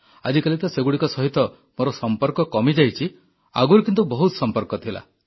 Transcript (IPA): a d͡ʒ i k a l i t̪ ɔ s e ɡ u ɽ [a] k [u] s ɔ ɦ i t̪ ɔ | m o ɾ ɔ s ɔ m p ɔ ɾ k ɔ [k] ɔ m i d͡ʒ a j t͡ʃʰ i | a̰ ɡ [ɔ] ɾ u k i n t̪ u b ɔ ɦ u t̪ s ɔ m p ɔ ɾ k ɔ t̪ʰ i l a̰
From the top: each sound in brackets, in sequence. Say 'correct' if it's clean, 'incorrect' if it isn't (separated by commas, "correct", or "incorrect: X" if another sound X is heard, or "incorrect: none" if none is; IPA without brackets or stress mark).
incorrect: i, incorrect: ɔ, correct, incorrect: u